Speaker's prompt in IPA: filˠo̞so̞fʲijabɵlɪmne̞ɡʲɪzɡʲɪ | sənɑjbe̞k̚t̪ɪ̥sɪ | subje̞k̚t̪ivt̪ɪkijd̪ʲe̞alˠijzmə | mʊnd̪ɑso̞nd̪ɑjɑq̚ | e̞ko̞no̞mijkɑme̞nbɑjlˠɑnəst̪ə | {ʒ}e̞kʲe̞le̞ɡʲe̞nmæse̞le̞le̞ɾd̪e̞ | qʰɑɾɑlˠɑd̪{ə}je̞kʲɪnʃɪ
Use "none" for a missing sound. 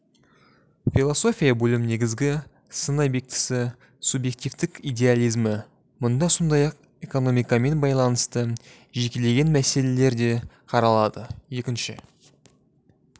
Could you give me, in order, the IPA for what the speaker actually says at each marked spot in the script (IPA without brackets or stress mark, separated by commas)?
ʒ, ə